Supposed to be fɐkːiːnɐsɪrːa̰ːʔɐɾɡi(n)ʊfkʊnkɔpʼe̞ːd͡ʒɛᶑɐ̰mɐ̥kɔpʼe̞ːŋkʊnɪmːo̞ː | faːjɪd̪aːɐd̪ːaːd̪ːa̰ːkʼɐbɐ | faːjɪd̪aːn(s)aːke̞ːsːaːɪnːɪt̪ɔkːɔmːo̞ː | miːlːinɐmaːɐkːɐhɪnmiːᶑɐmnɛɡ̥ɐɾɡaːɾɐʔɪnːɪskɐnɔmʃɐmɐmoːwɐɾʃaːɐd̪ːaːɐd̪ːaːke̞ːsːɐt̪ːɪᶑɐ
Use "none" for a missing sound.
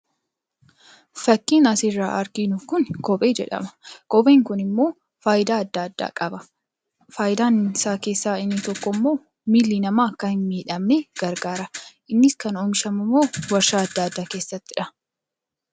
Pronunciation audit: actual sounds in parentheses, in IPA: n, s

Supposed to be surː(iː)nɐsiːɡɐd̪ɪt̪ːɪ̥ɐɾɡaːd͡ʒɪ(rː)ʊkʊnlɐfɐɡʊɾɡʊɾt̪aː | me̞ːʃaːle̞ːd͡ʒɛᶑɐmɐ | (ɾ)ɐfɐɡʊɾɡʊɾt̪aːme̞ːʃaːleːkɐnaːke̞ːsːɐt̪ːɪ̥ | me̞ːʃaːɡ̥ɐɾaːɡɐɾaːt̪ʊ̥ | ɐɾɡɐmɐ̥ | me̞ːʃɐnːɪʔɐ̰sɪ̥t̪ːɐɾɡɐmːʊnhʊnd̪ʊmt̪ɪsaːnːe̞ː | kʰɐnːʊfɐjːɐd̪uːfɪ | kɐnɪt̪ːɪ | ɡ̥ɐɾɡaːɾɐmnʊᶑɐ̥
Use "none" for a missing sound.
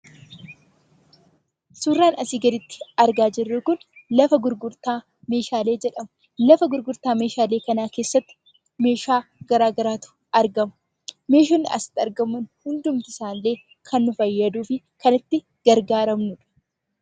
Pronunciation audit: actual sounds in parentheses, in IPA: aː, rː, l

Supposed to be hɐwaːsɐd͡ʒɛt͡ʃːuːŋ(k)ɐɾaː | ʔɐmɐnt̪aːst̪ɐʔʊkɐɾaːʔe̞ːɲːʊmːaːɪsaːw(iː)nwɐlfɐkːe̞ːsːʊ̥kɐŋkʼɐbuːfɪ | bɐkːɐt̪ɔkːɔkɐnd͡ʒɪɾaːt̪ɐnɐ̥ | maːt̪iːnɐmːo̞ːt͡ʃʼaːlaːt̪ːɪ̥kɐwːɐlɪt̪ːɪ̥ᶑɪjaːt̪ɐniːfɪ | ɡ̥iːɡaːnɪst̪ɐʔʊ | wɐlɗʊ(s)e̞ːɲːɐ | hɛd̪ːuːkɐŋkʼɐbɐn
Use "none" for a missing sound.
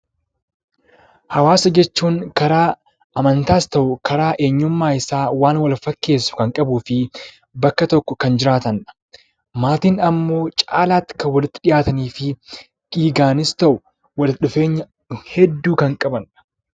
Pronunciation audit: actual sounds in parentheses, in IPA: k, aː, f

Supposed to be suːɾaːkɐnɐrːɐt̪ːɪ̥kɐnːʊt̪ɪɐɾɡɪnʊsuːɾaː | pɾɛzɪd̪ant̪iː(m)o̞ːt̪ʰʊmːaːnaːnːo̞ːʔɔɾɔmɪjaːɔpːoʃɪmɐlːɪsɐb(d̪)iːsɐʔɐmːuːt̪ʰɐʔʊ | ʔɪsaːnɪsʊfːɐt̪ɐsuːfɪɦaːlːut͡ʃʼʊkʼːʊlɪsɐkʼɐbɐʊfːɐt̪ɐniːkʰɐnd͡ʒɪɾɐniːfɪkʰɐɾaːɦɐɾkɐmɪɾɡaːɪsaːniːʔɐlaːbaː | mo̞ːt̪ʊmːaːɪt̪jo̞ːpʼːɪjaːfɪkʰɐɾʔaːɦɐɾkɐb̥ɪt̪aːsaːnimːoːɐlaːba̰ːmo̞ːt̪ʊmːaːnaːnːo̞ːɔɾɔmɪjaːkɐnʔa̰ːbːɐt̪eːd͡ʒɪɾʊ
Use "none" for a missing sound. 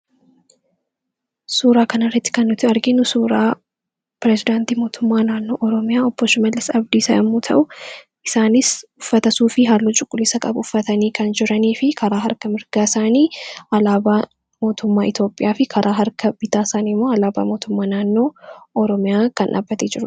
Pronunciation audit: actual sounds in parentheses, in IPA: m, d̪

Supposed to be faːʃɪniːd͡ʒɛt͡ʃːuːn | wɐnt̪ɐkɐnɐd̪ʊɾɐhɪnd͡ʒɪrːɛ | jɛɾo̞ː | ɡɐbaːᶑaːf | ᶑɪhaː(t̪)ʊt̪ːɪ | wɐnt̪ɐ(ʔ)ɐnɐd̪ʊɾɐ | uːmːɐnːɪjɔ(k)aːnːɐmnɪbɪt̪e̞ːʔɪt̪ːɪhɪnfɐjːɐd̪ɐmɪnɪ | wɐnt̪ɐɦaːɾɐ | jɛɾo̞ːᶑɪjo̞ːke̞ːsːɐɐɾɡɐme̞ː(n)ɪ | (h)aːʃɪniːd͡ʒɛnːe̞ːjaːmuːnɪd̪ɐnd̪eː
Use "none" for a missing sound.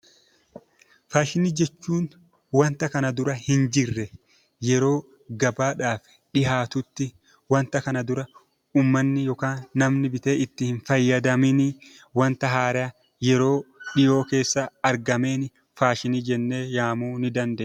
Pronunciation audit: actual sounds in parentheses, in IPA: t̪, k, k, n, f

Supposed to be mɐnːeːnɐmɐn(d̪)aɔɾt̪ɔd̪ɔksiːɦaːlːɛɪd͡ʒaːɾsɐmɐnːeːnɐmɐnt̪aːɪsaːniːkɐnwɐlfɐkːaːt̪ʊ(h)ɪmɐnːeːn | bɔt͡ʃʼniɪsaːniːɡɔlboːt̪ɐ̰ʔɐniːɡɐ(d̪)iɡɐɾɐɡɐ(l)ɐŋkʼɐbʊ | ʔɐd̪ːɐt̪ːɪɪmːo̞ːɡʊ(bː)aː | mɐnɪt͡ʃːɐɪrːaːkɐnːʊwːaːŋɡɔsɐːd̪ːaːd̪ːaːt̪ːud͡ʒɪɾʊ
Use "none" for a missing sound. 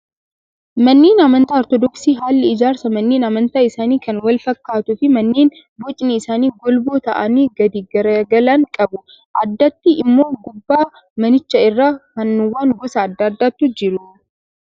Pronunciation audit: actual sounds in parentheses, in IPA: t̪, f, d̪, l, bː

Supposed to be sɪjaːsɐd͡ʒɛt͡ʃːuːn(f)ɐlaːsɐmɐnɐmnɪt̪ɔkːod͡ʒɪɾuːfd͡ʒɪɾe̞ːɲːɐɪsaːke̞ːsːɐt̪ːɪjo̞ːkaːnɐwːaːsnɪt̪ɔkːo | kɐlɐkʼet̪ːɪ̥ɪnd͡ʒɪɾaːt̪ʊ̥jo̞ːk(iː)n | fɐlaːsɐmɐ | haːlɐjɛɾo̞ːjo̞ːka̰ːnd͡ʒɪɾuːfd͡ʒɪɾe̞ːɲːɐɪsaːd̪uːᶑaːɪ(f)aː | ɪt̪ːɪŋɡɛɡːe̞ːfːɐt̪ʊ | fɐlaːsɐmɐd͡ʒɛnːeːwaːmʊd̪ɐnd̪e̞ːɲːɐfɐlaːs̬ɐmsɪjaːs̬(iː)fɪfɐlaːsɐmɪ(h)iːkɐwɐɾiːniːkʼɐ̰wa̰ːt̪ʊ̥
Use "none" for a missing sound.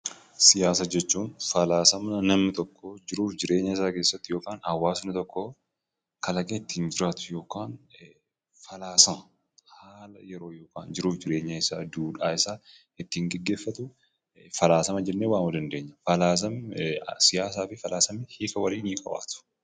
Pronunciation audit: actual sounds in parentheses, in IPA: f, aː, s, aː, h

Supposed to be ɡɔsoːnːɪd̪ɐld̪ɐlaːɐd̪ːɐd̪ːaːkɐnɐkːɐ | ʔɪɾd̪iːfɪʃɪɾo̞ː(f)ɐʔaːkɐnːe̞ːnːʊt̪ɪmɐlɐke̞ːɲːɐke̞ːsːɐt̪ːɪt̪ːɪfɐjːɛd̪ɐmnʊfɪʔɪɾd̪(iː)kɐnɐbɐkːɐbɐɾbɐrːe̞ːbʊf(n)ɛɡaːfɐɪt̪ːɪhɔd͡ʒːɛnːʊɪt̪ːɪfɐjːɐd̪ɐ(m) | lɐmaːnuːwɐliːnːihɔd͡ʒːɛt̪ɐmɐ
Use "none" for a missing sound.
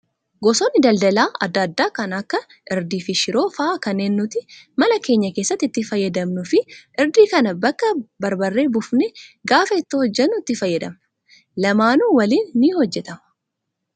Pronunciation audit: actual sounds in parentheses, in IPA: f, iː, n, m

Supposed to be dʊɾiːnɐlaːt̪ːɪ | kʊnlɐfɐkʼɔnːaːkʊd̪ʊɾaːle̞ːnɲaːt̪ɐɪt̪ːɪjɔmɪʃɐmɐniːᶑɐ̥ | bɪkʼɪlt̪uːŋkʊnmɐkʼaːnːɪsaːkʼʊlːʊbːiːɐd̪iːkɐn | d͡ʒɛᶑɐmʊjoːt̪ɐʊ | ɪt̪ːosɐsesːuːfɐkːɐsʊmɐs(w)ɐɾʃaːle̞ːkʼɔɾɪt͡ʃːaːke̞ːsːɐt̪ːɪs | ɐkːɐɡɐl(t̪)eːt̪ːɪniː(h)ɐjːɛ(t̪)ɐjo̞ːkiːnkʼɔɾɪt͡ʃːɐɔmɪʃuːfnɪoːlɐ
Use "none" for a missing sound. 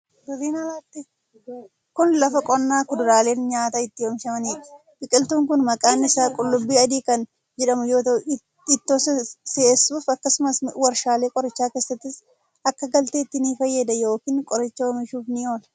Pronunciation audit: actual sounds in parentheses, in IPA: w, t̪, f, d̪

